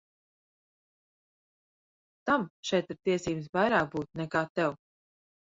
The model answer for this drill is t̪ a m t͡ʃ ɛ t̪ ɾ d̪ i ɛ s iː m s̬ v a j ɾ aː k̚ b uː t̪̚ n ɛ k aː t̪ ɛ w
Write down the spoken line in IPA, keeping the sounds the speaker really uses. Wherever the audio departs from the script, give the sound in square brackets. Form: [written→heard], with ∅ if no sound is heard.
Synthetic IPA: t̪ a m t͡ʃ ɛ t̪ ɾ [d̪→t̪] i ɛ s iː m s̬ v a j ɾ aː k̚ b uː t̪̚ n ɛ k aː t̪ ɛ w